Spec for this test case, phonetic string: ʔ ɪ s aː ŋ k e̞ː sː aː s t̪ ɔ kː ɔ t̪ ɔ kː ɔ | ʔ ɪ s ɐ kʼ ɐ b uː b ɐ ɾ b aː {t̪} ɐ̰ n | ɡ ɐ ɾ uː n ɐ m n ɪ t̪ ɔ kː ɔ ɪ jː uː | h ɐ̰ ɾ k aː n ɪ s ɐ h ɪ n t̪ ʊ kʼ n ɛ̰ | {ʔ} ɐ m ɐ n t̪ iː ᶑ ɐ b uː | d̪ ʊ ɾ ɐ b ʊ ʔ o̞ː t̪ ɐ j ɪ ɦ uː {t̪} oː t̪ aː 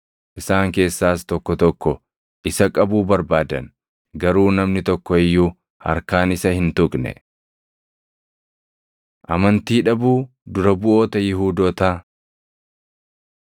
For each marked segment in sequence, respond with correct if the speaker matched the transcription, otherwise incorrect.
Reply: incorrect, correct, incorrect

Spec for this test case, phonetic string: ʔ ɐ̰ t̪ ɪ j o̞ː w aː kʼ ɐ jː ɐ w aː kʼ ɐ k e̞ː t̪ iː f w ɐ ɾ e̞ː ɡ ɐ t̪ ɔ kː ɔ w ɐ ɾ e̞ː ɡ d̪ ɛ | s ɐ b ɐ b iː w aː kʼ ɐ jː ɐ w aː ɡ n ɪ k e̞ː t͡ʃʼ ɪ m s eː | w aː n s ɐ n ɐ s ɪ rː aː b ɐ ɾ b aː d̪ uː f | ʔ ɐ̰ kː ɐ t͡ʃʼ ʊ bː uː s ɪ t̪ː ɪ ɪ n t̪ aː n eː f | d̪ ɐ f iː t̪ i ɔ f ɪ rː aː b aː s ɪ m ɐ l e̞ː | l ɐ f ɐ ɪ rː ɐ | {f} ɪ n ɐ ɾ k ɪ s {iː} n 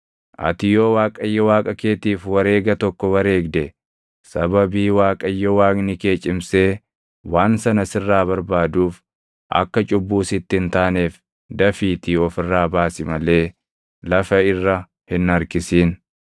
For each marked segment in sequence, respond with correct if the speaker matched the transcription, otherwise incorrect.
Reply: incorrect, correct

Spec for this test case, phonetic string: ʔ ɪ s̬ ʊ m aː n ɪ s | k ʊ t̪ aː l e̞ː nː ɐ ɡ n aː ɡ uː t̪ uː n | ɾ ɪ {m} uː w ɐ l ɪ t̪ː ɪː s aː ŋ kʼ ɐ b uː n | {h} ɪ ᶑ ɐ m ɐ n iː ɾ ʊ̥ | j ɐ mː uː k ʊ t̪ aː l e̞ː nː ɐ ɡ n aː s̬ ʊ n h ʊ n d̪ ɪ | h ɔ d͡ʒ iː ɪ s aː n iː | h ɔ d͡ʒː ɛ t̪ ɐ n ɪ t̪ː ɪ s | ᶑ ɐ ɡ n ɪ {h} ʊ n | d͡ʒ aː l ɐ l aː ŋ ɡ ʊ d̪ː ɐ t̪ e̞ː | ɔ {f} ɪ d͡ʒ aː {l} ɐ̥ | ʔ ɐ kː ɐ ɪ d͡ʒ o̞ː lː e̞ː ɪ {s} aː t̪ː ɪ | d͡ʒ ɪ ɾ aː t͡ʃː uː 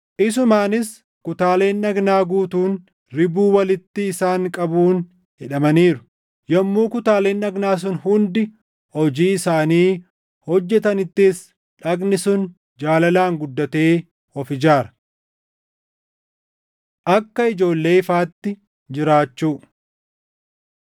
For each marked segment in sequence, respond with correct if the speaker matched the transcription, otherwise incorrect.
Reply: incorrect, correct, incorrect, correct, incorrect, incorrect

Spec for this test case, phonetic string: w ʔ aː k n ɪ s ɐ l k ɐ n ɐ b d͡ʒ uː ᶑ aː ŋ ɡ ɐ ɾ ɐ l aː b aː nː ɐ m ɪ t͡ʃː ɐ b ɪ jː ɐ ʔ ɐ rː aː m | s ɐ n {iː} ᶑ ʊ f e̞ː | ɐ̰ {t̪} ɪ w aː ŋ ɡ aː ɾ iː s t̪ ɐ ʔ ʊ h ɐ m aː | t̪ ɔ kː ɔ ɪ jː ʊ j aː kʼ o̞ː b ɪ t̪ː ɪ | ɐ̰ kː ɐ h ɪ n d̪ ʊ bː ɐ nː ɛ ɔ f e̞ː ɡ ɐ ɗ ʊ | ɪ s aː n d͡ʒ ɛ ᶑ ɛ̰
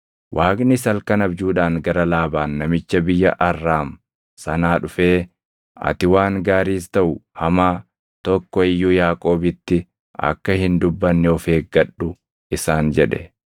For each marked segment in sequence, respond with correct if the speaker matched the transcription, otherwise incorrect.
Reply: incorrect, correct

